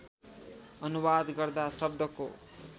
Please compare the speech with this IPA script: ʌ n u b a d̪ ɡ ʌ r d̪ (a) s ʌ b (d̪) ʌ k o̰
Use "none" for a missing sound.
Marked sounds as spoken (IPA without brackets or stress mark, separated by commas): a, d̪